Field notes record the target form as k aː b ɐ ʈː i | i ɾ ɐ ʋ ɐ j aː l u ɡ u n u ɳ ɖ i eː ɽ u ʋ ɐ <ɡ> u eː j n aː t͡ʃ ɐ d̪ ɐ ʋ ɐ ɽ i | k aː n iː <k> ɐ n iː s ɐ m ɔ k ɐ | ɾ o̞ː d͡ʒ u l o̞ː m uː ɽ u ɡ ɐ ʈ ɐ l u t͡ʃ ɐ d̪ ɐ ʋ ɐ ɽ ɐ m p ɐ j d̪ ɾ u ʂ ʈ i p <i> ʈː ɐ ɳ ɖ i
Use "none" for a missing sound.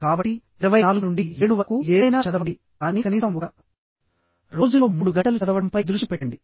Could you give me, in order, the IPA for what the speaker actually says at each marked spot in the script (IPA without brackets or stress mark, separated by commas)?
k, k, ɛ